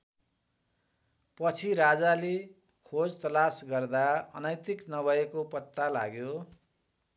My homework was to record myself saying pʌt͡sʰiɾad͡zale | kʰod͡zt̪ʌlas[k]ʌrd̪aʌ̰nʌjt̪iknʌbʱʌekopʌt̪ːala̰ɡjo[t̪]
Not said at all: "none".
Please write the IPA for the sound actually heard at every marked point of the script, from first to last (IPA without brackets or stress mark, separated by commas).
ɡ, none